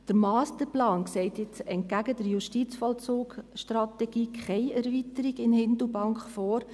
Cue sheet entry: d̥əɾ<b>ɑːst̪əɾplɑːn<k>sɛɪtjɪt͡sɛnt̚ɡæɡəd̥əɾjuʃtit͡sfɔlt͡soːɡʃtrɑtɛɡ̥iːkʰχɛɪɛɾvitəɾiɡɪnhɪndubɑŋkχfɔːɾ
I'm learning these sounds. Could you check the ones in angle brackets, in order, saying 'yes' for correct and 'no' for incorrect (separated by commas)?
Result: no, yes